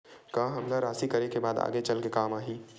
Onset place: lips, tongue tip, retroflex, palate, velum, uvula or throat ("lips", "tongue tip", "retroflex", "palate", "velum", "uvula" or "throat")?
velum